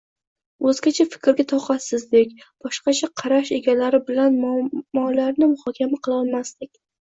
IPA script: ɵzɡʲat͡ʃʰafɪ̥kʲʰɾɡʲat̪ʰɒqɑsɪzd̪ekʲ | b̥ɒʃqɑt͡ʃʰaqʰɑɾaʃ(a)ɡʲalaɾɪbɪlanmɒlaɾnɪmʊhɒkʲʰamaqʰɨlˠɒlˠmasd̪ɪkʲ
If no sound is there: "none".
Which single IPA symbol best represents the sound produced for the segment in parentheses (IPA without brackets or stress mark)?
e